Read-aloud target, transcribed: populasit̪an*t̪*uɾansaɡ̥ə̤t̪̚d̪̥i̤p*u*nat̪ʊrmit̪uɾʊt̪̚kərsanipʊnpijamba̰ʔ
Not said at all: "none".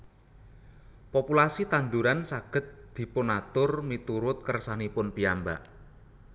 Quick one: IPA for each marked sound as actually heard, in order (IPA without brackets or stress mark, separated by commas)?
d̪, ʊ